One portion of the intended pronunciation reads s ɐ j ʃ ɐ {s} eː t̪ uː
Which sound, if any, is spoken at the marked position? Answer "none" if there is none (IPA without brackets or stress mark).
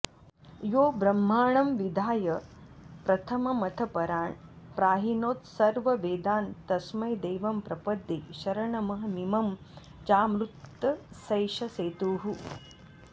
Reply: s